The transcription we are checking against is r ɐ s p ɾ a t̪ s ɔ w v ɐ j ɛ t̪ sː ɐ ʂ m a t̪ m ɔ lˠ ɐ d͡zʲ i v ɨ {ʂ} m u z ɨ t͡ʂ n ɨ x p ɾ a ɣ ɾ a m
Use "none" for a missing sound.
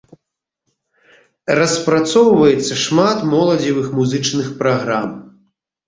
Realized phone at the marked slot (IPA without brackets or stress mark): x